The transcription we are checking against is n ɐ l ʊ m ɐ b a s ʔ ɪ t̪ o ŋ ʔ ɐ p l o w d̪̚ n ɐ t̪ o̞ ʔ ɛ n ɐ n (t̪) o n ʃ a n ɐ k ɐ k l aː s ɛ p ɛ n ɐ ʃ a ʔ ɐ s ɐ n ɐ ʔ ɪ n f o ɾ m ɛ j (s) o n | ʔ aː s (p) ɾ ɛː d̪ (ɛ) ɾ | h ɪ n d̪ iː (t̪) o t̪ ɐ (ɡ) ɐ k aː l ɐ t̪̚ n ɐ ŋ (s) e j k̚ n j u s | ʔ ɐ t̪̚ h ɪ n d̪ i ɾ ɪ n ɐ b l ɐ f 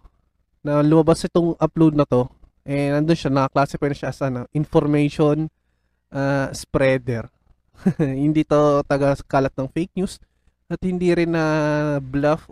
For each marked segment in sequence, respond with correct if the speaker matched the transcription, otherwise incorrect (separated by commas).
incorrect, incorrect, correct, correct, correct, correct, incorrect